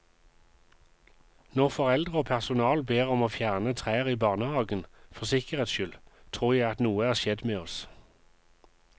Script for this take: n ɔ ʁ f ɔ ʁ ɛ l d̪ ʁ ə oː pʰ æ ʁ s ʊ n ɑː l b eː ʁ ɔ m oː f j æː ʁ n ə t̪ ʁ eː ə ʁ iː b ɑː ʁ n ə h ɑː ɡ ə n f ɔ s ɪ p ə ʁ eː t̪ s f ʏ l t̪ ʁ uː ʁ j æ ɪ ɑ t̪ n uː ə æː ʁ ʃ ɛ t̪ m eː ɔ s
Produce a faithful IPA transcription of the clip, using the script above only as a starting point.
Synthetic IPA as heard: n ɔ ʁ f ɔ ʁ ɛ l d̪ ʁ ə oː pʰ æ ʁ s ʊ n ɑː l b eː ʁ ɔ m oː f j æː ʁ n ə t̪ʰ ʁ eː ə ʁ iː b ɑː ʁ n ə h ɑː ɡ ə n f ɔ s ɪ k ə ʁ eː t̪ s ʃ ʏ l t̪ʰ ʁ uː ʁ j æ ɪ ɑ t̪ n uː ə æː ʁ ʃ ɛ d̪ m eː ɔ s